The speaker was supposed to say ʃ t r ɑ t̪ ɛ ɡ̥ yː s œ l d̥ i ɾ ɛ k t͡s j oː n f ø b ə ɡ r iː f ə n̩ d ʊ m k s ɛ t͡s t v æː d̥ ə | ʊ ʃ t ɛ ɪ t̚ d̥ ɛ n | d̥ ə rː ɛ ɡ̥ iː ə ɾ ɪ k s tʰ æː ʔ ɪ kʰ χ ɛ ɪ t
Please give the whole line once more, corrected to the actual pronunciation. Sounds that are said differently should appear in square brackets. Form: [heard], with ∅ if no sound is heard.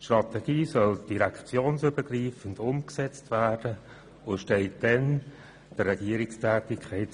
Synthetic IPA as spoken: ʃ t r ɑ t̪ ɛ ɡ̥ [iː] s œ l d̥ i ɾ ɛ k t͡s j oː n [s] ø b ə ɡ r iː f ə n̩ d ʊ m k s ɛ t͡s t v æː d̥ ə | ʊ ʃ t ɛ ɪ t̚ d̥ ɛ n | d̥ ə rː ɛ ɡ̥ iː ə ɾ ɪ k s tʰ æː [t] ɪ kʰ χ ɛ ɪ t